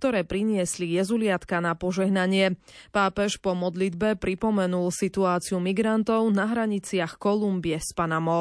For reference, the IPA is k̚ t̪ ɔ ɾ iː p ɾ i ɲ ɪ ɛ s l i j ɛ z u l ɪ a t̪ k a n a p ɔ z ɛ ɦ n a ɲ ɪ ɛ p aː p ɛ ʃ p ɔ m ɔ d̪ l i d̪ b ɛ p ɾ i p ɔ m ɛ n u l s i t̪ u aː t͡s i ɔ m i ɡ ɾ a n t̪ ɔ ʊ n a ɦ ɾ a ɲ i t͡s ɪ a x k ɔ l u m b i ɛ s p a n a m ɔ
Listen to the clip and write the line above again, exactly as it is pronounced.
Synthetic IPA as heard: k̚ t̪ ɔ ɾ ɛː p ɾ i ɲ ɪ ɛ s l i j ɛ z u l ɪ a t̪ k a n a p ɔ ʒ ɛ ɦ n a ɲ ɪ ɛ p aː p ɛ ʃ p ɔ m ɔ d̪ l i d̪ b ɛ p ɾ i p ɔ m ɛ n u l s i t̪ u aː t͡s i u m i ɡ ɾ a n t̪ ɔ ʊ n a ɦ ɾ a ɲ i t͡s ɪ a x k ɔ l u m b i ɛ s p a n a m ɔ